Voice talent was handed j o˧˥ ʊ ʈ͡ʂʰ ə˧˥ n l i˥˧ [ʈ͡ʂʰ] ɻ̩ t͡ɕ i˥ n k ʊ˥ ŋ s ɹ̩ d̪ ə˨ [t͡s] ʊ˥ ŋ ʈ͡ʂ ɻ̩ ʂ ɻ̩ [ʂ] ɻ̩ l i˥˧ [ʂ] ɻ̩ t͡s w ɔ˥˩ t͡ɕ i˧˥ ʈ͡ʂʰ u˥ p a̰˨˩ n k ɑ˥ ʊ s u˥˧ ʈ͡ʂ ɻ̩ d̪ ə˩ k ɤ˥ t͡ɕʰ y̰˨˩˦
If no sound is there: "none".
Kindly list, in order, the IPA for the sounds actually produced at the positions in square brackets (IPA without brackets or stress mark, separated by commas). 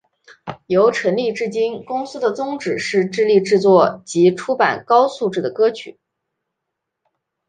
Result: ʈ͡ʂ, t͡s, ʈ͡ʂ, ʈ͡ʂ